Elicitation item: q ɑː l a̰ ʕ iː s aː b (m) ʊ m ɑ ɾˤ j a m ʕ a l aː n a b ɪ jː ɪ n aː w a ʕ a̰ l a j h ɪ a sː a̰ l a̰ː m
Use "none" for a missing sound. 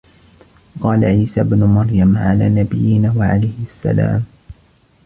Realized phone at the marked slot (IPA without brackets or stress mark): n